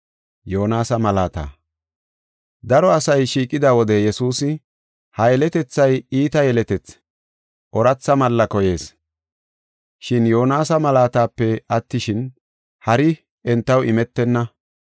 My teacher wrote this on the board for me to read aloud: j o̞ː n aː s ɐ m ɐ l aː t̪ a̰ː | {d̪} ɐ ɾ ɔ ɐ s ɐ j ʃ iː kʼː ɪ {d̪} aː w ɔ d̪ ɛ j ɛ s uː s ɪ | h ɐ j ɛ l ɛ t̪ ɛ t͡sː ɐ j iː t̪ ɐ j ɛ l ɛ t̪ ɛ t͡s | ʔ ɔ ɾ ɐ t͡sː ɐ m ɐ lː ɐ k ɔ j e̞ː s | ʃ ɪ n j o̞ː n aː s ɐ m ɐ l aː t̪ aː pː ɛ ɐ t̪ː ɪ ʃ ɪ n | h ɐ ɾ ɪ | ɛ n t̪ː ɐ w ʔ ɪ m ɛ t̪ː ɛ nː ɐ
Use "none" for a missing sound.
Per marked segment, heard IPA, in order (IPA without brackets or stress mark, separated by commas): d̪, d̪